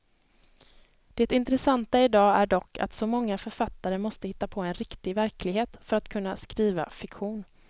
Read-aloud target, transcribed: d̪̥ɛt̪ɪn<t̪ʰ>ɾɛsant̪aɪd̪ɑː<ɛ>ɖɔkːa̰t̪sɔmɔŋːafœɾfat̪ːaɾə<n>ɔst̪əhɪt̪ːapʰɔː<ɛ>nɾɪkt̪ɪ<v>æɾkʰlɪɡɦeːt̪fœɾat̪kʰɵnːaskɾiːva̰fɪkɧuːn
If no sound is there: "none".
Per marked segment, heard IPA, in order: t̪, æ, m, ɛ, v

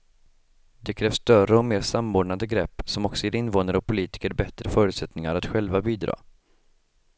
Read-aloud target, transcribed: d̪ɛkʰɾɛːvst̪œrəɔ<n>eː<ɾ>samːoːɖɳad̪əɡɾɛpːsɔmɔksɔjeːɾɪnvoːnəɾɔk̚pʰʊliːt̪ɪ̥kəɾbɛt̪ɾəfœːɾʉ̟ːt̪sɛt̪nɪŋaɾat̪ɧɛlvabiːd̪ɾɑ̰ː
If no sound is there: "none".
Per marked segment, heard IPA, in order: m, ɾ

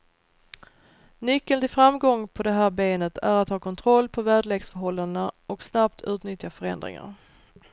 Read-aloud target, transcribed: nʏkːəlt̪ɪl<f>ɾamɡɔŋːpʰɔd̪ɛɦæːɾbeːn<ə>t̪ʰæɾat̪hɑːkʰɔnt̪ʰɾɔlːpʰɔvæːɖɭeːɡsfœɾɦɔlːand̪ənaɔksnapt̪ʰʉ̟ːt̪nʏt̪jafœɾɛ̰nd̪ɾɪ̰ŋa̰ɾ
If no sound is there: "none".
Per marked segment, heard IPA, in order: f, ə

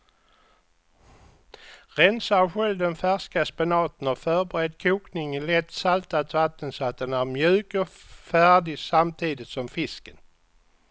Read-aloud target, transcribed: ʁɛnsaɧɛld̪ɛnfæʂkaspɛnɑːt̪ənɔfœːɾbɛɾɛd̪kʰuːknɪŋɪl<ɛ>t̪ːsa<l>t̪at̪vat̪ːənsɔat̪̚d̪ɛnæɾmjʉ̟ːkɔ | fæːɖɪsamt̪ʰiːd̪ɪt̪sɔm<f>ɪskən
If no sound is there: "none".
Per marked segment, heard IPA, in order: ɛ, l, f

